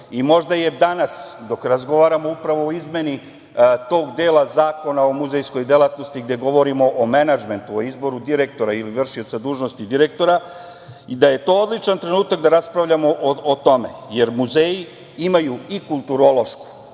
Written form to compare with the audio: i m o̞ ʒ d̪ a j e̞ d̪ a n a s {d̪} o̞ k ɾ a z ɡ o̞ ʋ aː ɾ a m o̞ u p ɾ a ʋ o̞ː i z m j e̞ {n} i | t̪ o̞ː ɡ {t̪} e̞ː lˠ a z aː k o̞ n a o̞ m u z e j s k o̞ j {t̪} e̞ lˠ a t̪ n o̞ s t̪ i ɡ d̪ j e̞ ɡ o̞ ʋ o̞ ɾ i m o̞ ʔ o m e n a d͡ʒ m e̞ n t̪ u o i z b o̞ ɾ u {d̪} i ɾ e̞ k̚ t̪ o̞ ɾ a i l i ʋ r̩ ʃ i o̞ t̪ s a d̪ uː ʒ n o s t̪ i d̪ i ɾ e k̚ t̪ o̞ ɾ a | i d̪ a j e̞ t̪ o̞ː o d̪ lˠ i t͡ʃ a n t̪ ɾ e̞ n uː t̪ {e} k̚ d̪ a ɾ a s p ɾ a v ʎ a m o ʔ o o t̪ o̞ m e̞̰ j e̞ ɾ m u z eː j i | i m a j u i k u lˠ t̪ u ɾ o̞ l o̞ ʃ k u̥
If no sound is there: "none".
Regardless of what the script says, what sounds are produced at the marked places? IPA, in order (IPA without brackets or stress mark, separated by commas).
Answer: d̪, n, d̪, d̪, d̪, a